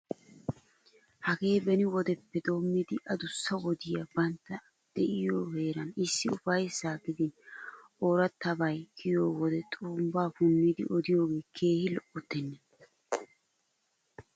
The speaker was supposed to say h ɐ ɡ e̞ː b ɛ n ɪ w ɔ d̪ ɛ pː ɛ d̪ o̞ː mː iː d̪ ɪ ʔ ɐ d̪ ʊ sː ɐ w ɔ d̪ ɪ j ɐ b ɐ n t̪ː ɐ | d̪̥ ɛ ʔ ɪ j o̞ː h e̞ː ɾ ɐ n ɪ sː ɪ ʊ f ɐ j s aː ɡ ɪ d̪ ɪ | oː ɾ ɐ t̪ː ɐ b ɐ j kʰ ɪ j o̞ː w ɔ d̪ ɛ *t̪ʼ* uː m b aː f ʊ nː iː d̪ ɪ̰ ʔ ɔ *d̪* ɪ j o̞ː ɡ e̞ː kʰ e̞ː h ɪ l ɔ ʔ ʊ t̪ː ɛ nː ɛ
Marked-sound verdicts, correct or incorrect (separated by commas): correct, correct